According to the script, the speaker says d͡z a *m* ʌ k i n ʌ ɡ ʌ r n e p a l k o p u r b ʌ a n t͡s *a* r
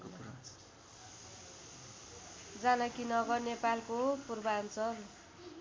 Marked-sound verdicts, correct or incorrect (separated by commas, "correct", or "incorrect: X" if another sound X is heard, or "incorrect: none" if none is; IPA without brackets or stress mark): incorrect: n, incorrect: ʌ